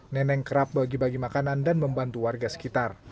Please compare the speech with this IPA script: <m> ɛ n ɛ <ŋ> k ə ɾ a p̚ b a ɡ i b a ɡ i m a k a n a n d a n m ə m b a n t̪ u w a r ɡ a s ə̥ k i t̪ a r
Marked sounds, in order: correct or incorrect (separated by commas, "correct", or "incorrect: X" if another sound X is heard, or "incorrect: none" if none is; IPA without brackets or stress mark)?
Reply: incorrect: n, correct